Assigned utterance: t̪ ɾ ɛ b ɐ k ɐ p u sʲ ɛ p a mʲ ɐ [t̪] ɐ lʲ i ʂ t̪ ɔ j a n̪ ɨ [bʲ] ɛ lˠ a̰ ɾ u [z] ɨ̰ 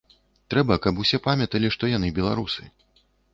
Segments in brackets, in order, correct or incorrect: correct, correct, incorrect

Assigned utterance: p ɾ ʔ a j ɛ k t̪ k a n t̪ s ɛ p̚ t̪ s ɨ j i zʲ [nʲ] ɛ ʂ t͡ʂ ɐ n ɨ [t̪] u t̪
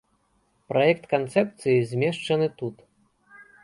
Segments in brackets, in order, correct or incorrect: incorrect, correct

